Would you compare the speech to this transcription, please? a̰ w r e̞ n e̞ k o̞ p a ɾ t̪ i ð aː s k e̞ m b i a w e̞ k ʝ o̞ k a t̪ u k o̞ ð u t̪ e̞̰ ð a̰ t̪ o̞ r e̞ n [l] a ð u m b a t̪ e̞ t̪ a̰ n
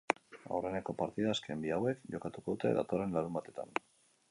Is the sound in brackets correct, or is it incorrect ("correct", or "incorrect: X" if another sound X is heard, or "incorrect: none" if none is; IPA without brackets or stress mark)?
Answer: correct